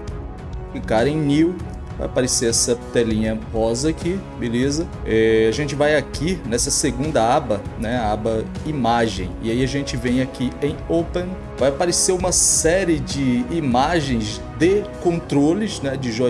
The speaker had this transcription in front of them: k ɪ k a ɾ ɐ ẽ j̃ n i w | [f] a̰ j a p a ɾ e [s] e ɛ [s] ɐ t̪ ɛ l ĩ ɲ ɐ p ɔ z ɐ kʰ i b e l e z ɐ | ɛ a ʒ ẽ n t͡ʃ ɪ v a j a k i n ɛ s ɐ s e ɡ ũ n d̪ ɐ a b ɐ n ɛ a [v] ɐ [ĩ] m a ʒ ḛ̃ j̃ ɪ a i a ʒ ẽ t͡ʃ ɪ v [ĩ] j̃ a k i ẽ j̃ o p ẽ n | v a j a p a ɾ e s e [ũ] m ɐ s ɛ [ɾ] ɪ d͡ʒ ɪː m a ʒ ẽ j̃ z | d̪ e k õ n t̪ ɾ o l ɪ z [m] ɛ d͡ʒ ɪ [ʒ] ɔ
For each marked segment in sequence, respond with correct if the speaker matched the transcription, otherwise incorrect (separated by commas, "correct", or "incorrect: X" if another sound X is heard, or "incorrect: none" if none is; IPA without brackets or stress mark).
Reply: incorrect: v, correct, correct, incorrect: b, incorrect: i, incorrect: ẽ, correct, correct, incorrect: n, correct